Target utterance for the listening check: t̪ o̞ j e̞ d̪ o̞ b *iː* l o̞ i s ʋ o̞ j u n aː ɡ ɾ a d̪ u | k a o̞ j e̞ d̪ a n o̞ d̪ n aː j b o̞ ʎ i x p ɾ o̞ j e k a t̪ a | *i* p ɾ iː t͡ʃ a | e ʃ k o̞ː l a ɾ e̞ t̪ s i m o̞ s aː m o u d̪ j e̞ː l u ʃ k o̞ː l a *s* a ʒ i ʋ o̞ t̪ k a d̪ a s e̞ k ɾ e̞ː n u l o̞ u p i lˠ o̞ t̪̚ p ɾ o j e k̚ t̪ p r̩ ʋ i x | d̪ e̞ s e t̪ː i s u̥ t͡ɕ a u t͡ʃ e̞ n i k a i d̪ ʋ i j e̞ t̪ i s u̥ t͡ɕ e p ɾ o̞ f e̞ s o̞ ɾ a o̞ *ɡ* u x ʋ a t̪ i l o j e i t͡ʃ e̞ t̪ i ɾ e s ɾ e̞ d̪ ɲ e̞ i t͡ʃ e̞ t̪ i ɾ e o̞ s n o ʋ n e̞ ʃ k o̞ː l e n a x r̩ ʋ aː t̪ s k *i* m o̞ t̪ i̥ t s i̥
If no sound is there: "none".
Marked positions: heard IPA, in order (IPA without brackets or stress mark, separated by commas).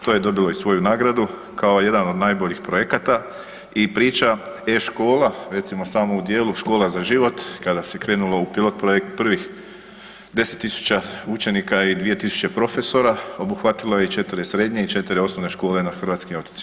i, i, z, b, i